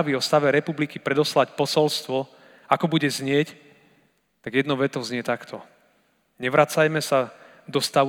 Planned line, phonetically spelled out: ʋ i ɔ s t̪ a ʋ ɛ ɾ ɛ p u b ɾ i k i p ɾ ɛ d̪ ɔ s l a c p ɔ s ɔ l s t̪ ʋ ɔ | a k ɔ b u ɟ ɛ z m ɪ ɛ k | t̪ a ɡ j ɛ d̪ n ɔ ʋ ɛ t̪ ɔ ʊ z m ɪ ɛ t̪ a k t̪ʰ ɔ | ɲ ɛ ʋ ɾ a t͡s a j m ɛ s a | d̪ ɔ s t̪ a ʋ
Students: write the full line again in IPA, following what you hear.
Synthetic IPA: ʋ i ɔ s t̪ a ʋ ɛ ɾ ɛ p u b l i k i p ɾ ɛ d̪ ɔ s l a c p ɔ s ɔ l s t̪ ʋ ɔ | a k ɔ b u ɟ ɛ z ɲ ɪ ɛ c | t̪ a ɡ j ɛ d̪ n ɔ ʋ ɛ t̪ ɔ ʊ z ɲ ɪ ɛ t̪ a k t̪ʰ ɔ | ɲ ɛ ʋ ɾ a t͡s a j m ɛ s a | d̪ ɔ s t̪ a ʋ